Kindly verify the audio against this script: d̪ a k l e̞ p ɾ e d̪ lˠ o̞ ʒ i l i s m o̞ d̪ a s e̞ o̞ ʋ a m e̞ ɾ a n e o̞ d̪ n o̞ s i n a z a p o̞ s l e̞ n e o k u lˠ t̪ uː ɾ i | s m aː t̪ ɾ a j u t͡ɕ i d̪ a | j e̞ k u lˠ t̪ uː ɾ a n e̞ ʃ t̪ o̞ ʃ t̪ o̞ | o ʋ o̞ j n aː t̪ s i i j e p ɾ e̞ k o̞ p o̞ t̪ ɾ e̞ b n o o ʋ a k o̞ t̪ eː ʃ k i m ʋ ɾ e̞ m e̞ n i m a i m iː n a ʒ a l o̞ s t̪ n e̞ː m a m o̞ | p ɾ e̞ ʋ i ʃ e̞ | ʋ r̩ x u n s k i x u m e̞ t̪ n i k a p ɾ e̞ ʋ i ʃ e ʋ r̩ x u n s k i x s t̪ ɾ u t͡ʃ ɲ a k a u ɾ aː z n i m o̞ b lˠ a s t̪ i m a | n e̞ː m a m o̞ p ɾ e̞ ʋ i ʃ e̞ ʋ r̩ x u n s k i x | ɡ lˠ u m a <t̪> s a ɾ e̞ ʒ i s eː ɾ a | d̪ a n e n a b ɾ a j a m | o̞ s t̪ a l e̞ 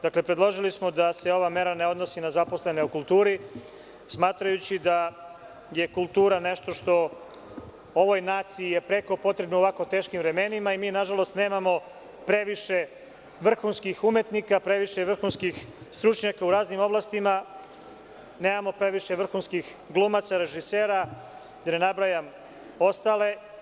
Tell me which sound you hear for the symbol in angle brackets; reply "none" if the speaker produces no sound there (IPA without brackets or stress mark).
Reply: t̪